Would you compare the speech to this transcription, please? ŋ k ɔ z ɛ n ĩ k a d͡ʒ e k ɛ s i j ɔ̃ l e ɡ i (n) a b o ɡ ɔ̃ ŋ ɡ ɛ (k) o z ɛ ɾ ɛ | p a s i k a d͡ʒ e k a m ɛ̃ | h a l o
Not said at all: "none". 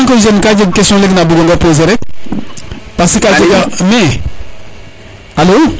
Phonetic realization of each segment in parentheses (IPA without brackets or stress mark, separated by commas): n, p